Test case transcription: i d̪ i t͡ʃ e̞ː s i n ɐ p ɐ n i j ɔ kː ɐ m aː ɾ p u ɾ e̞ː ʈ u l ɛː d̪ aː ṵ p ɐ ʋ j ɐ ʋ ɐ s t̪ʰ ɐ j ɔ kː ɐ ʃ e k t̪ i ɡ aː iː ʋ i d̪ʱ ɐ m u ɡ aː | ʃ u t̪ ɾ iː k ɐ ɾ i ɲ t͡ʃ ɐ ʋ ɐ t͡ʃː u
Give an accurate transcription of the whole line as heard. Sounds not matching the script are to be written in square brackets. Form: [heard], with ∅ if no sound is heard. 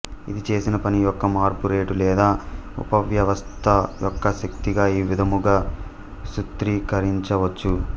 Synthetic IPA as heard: i d̪ i t͡ʃ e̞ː s i n ɐ p ɐ n i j ɔ kː ɐ m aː ɾ p u ɾ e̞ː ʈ u l ɛː d̪ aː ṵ p ɐ ʋ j ɐ ʋ ɐ s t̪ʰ ɐ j ɔ kː ɐ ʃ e k t̪ i ɡ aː iː ʋ i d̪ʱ ɐ m u ɡ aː | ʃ u t̪ ɾ iː k ɐ ɾ i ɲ t͡ʃ ɐ ʋ ɐ t͡ʃː u